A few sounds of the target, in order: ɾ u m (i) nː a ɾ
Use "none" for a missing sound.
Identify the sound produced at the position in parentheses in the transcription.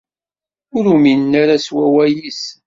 i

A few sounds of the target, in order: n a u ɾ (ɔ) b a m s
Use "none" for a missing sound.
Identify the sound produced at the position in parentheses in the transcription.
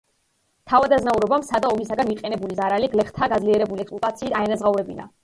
ɔ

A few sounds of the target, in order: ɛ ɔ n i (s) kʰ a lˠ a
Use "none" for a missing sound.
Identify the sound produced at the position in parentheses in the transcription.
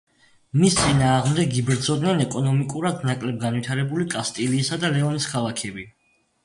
s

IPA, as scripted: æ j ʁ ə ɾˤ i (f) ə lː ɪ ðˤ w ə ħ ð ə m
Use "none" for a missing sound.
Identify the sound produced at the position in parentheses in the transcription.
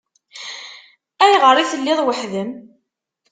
θ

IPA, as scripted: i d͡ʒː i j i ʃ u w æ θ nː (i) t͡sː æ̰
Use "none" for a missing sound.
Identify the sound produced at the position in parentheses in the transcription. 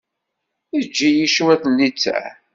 i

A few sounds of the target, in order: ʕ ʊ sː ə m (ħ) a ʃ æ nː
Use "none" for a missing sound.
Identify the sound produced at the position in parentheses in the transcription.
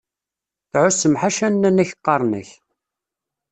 ħ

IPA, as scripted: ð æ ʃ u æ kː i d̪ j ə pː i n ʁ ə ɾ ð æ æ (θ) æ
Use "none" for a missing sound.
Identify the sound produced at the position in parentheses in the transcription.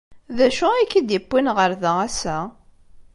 s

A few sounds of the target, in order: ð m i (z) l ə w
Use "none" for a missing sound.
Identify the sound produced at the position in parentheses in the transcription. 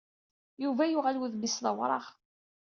s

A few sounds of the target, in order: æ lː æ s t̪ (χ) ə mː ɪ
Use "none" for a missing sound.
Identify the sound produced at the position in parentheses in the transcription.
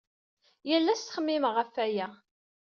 χ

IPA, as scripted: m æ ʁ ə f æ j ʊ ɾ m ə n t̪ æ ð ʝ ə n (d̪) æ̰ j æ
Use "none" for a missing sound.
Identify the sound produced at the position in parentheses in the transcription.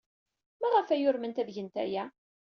t̪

